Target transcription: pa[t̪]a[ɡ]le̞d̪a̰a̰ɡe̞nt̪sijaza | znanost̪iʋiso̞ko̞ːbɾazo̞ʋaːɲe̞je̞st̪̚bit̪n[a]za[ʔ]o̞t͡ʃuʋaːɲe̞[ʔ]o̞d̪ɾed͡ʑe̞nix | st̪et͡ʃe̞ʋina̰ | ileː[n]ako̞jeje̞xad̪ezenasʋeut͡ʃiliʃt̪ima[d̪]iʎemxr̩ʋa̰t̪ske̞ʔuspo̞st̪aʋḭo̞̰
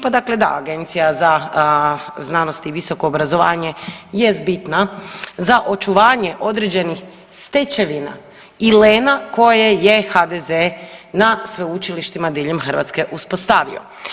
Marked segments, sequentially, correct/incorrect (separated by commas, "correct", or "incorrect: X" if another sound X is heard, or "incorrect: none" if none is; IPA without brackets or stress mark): incorrect: d̪, incorrect: k, correct, correct, correct, correct, correct